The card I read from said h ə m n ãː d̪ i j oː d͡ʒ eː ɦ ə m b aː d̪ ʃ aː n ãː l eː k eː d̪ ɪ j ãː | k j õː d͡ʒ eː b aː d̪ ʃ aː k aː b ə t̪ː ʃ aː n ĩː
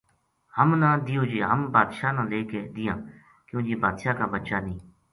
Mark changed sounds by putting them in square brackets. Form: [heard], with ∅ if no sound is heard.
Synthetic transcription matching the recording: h ə m n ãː d̪ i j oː d͡ʒ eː ɦ ə m b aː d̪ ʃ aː n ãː l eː k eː d̪ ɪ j ãː | k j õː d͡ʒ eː b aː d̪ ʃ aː k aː b ə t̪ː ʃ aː n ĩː